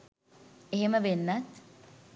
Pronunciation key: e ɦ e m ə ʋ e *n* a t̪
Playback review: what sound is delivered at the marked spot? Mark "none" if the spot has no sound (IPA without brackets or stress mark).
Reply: nː